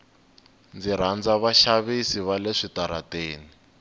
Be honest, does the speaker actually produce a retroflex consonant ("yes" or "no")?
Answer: yes